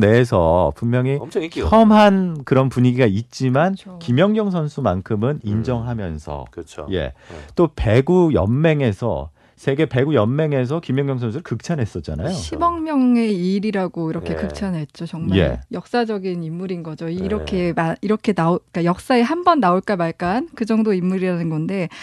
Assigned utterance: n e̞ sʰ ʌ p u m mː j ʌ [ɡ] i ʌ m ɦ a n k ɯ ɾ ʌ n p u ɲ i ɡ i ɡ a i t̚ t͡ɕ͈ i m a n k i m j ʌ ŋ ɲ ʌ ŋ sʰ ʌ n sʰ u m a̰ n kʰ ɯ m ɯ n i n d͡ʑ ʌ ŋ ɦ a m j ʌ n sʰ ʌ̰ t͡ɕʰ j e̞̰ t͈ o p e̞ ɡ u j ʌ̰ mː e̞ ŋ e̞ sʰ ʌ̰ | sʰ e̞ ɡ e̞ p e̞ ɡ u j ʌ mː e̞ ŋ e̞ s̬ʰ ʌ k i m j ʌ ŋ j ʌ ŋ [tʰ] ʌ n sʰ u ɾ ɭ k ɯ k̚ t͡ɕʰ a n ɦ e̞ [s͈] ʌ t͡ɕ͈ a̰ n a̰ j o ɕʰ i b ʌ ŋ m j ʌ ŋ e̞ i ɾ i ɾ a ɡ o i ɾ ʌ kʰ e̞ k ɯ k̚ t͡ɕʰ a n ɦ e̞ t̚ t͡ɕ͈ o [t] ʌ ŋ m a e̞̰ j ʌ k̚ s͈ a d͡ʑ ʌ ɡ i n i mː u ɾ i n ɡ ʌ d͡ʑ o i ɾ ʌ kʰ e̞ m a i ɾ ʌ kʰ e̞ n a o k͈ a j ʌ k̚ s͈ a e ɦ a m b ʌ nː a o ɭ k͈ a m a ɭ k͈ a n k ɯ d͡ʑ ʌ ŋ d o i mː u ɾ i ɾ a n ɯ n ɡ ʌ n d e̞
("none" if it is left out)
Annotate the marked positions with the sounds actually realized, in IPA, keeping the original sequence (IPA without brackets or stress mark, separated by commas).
ŋ, sʰ, s͈, t͡ɕ